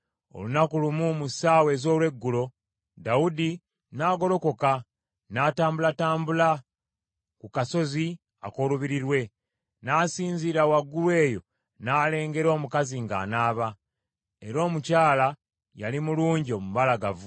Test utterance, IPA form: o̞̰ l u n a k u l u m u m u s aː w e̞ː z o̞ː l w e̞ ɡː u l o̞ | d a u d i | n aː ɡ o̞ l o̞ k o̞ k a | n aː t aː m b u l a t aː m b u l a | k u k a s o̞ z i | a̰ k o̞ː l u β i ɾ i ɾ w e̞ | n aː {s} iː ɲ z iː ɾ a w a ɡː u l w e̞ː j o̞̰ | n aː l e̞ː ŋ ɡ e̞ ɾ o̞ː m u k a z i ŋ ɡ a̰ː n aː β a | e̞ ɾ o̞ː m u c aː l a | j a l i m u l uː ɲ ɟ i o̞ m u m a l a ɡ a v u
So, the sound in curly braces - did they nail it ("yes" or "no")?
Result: yes